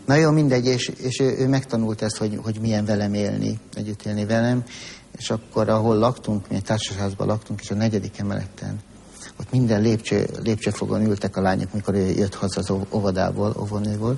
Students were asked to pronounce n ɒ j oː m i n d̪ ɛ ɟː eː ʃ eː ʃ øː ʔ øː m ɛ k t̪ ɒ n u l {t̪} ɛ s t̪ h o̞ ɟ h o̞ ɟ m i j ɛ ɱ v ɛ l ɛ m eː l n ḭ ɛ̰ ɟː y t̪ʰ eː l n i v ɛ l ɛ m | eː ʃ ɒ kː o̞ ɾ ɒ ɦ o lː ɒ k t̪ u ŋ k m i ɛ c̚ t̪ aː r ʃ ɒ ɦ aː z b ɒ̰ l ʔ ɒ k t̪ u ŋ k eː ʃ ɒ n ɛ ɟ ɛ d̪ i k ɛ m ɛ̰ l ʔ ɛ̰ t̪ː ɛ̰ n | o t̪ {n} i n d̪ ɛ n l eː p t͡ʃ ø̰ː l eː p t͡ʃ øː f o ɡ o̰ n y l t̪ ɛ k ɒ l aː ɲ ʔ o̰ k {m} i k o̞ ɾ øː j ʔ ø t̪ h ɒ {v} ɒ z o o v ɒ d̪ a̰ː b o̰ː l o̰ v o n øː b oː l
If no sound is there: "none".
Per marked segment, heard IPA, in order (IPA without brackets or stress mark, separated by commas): t̪, m, m, z